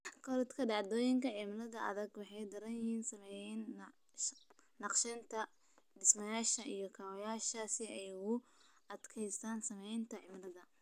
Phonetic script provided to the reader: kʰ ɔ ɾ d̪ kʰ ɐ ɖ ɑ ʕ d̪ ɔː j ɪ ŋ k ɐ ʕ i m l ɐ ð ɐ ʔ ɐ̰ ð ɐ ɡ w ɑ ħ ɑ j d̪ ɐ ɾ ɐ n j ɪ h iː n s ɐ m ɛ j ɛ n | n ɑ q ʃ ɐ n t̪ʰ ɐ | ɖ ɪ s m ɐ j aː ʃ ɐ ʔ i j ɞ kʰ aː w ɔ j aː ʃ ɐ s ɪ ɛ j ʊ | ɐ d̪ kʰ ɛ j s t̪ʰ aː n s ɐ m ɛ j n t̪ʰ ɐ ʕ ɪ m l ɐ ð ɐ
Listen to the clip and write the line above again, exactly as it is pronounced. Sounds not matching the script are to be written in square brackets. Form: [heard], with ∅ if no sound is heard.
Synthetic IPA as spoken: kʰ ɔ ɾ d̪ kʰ ɐ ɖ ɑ ʕ d̪ ɔː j ɪ ŋ k ɐ ʕ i m l ɐ ð ɐ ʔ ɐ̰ ð ɐ ɡ w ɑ ħ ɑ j d̪ ɐ ɾ ɐ n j ɪ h iː n s ɐ m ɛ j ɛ n | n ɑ q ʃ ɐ n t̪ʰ ɐ | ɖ ɪ s m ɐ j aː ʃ ɐ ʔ i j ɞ kʰ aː w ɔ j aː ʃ ɐ s ɪ ɛ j ʊ | ɐ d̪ kʰ ɛ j s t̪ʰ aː n s ɐ m ɛ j n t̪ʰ ɐ ʕ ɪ m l ɐ ð ɐ